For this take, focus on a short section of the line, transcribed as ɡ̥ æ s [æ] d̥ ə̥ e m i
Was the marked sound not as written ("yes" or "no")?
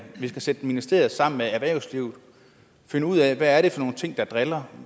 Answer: yes